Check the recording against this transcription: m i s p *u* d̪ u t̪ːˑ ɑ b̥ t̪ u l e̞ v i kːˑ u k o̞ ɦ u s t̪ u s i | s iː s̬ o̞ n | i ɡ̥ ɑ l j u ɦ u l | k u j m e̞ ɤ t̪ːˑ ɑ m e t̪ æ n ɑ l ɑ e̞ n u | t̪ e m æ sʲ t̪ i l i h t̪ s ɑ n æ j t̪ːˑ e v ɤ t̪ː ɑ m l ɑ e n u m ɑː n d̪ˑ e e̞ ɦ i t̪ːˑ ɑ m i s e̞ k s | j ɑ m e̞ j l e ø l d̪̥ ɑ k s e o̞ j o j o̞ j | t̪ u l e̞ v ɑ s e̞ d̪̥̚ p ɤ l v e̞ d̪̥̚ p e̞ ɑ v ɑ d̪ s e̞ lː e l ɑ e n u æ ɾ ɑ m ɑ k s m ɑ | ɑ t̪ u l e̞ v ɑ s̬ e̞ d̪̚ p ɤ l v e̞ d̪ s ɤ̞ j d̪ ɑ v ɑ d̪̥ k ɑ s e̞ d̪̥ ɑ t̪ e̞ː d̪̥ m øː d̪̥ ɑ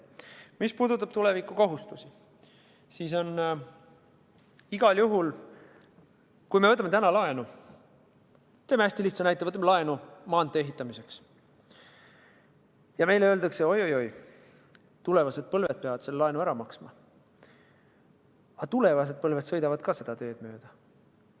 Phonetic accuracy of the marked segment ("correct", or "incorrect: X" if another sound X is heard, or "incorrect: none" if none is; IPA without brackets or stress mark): incorrect: uː